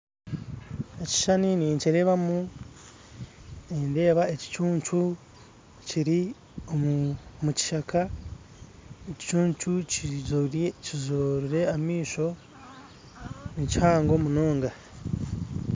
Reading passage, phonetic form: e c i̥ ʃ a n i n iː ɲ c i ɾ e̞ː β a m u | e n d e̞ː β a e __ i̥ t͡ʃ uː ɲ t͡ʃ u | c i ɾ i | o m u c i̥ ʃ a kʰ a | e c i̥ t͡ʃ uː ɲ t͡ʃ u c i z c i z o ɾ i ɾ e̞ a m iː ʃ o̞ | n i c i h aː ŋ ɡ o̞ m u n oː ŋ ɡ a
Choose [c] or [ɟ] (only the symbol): c